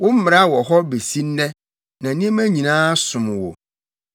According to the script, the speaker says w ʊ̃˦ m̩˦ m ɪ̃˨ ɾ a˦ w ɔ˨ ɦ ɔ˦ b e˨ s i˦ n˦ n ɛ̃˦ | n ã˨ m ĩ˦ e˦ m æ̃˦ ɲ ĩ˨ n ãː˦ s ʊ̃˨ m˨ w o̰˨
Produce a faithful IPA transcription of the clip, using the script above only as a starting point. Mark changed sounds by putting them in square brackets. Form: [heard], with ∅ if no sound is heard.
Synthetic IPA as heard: w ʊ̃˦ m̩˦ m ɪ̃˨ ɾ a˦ w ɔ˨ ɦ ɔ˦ b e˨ s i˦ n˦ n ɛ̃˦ | n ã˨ [n] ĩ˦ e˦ m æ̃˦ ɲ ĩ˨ n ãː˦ s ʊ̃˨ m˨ w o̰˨